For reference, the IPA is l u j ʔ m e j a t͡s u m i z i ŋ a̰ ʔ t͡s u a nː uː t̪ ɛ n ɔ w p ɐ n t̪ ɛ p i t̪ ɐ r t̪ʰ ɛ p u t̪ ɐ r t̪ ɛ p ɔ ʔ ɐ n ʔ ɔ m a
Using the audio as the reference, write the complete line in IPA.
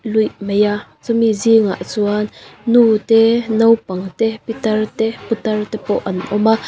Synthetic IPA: l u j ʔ m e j a t͡s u m i z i ŋ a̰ ʔ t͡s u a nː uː t̪ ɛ n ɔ w p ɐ ŋ t̪ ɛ p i t̪ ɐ r t̪ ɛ p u t̪ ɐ r t̪ ɛ p ɔ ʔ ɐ n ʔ ɔ m a